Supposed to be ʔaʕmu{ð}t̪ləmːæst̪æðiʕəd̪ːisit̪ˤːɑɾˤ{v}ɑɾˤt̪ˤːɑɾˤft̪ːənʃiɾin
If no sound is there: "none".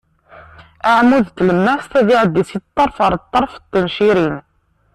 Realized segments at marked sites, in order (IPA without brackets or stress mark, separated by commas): ð, f